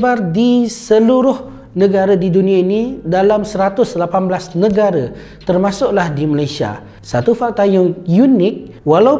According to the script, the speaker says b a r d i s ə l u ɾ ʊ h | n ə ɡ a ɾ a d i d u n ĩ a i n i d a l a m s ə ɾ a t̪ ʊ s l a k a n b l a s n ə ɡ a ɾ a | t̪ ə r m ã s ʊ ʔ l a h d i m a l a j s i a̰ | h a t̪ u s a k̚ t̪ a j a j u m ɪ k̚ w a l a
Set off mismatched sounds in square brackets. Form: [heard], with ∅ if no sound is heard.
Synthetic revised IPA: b a r d i s ə l u ɾ ʊ h | n ə ɡ a ɾ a d i d u n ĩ a i n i d a l a m s ə ɾ a t̪ ʊ s l a [p] a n b l a s n ə ɡ a ɾ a | t̪ ə r m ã s ʊ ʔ l a h d i m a l a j s i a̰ | [s] a t̪ u [f] a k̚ t̪ a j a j u [n] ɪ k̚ w a l a